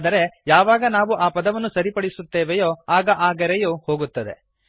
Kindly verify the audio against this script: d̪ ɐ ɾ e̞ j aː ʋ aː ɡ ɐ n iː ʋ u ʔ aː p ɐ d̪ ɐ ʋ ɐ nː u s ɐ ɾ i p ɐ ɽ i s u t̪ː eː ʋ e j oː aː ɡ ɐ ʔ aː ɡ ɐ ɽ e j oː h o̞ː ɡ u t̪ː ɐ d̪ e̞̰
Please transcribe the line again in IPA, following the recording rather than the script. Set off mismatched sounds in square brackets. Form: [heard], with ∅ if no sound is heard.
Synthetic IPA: d̪ ɐ ɾ e̞ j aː ʋ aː ɡ ɐ n [aː] ʋ u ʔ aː p ɐ d̪ ɐ ʋ ɐ nː u s ɐ ɾ i p ɐ ɽ i s u t̪ː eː ʋ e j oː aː ɡ ɐ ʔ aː ɡ ɐ [ɾ] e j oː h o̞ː ɡ u t̪ː ɐ d̪ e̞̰